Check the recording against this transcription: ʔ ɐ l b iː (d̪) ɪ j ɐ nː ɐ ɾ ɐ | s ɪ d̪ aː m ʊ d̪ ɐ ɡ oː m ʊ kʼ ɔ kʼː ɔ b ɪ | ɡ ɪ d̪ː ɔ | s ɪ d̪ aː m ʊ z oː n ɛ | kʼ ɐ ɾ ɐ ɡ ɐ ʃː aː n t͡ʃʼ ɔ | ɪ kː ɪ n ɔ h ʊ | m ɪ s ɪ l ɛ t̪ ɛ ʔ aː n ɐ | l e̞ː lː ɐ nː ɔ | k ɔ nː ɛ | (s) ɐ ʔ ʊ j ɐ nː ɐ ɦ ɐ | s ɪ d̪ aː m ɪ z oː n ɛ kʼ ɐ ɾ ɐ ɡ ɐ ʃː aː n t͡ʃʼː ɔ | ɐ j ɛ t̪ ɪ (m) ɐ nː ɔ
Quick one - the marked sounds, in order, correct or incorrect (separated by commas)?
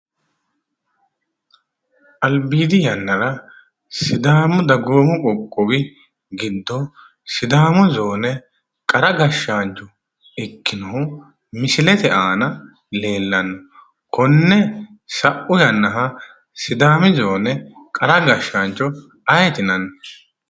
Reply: correct, correct, incorrect